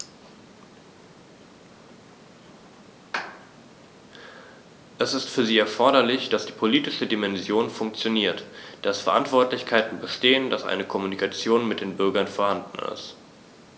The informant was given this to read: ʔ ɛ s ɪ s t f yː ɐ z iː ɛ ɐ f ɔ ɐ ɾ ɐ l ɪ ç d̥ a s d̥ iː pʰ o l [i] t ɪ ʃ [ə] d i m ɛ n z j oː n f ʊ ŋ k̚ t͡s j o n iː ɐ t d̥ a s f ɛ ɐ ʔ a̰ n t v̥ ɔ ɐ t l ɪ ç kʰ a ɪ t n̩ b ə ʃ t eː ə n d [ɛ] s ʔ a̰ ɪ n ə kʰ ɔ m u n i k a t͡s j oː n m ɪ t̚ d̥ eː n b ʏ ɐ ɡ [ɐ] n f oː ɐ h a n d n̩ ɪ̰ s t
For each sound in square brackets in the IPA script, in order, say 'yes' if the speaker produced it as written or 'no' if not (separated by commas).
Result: no, yes, no, yes